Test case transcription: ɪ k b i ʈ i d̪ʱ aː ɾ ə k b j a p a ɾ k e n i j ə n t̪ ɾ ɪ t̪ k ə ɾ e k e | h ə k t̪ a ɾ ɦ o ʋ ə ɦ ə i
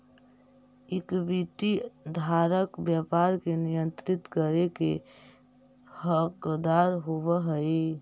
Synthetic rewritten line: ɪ k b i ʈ i d̪ʱ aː ɾ ə k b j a p a ɾ k e n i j ə n t̪ ɾ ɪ t̪ k ə ɾ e k e | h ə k d̪ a ɾ ɦ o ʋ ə ɦ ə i